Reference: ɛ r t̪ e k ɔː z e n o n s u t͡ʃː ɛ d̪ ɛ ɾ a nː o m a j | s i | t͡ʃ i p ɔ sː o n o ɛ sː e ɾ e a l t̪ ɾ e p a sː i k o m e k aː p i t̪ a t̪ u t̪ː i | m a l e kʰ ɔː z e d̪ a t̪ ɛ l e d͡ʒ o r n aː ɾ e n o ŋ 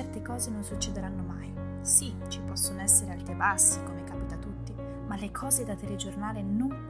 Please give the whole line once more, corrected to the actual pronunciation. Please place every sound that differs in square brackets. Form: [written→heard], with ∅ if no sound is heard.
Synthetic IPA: ɛ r t̪ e k ɔː z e n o n s u t͡ʃː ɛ d̪ [ɛ→e] ɾ a nː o m a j | s i | t͡ʃ i p ɔ sː o n o ɛ sː e ɾ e a l t̪ ɾ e [p→b] a sː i k o m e k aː p i t̪ a t̪ u t̪ː i | m a l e kʰ ɔː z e d̪ a t̪ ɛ l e d͡ʒ o r n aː [ɾ→l] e n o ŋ